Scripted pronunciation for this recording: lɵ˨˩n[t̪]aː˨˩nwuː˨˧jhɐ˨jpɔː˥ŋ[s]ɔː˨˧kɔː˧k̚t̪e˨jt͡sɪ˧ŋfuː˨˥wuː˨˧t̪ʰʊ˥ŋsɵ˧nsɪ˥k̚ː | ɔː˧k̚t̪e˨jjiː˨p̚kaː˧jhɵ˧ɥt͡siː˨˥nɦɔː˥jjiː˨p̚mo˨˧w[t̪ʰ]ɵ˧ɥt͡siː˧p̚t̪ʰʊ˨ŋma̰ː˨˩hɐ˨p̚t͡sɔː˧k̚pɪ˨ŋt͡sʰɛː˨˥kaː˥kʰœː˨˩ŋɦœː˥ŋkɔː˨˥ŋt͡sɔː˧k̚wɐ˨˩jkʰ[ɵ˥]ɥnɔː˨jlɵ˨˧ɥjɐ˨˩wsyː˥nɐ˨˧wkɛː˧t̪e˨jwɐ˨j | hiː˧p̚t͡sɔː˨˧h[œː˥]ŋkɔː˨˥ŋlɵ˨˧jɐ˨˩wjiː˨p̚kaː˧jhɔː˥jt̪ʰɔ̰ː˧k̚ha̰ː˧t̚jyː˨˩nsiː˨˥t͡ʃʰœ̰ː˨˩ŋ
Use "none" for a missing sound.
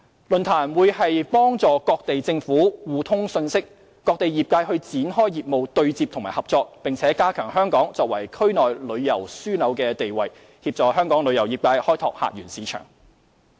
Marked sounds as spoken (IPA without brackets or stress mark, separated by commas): t̪ʰ, t͡s, t̪, ɵ˥, œː˥